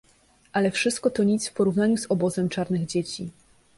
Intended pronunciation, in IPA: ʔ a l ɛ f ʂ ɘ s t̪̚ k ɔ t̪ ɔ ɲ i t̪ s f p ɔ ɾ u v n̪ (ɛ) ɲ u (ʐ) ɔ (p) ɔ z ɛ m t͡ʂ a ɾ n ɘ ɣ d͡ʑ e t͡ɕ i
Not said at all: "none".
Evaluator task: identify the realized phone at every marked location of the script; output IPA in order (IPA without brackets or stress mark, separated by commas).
a, z, b